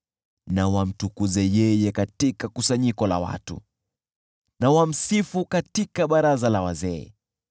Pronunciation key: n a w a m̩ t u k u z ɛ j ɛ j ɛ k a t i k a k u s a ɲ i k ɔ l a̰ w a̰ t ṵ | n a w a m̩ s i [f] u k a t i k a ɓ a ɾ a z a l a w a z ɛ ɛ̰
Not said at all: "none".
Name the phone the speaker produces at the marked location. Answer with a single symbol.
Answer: f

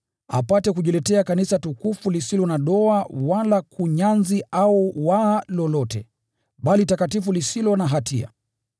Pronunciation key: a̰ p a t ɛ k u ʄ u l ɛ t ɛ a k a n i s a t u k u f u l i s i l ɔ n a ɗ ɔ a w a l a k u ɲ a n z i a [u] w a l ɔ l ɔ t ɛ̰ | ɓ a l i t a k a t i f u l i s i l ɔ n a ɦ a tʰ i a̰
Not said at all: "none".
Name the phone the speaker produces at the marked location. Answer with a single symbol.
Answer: u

